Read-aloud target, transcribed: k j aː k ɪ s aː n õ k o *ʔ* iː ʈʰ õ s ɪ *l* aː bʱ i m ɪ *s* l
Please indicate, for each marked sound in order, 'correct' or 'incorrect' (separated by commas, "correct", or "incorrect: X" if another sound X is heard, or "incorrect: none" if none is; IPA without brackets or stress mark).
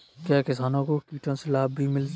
incorrect: k, correct, incorrect: none